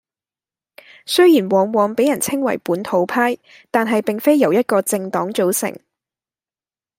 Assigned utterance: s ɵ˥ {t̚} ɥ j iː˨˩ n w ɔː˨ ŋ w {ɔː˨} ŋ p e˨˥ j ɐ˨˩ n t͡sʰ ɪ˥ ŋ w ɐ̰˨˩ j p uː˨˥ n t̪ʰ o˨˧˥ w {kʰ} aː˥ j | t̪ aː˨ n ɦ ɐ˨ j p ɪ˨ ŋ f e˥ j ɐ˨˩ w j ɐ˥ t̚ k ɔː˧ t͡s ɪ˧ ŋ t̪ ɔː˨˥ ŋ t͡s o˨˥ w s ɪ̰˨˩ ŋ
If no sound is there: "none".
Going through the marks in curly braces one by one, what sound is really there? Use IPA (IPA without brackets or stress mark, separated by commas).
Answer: none, ɔː˨, pʰ